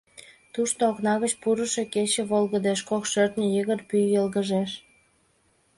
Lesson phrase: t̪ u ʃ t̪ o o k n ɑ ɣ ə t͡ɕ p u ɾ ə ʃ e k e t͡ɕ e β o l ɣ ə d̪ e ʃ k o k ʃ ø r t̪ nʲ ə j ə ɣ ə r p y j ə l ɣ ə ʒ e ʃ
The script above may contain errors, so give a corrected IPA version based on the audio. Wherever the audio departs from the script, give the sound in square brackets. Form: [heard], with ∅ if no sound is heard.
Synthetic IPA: t̪ u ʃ t̪ o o k n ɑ ɣ ə t͡ɕ p u ɾ ə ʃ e k e t͡ɕ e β o l ɣ ə d̪ e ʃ k o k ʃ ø r t̪ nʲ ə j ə ɣ ə r p y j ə l ɣ ə ʒ e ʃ